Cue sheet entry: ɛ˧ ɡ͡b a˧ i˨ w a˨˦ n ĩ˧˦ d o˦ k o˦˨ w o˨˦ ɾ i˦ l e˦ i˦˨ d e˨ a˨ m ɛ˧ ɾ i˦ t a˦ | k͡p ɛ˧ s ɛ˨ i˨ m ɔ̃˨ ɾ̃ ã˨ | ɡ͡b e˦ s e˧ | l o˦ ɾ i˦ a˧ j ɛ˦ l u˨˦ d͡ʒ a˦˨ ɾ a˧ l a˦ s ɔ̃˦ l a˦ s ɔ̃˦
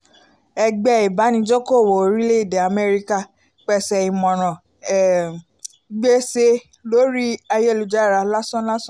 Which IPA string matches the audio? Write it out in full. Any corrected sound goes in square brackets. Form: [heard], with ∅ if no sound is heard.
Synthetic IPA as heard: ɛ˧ ɡ͡b [ɛ˧] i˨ [b] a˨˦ n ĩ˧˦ [d͡ʒ] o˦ k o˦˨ w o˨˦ ɾ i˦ l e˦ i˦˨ d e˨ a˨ m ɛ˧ ɾ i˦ [k] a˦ | k͡p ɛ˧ s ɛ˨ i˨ m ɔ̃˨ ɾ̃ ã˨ | ɡ͡b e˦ s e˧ | l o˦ ɾ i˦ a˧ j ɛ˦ l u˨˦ d͡ʒ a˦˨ ɾ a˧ l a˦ s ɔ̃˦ l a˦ s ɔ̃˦